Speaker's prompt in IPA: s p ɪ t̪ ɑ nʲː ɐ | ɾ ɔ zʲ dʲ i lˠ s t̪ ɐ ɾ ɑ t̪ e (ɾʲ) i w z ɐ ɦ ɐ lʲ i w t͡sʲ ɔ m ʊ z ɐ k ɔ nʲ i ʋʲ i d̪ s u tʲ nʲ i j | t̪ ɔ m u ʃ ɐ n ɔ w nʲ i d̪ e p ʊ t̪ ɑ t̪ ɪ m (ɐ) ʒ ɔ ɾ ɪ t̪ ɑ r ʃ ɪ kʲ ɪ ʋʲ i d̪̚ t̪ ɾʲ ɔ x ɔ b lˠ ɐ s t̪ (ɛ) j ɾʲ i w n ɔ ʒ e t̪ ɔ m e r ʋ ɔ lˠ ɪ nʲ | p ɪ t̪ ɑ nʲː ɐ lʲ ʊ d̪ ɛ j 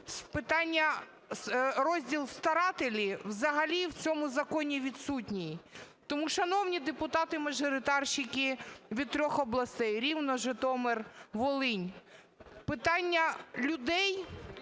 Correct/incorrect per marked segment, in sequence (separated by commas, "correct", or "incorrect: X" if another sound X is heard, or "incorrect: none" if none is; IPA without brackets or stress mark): incorrect: lʲ, correct, correct